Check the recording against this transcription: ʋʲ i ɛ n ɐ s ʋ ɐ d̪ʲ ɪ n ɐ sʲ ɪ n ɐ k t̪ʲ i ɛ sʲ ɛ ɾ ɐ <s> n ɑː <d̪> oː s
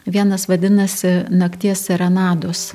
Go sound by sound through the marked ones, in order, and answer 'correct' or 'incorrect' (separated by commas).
incorrect, correct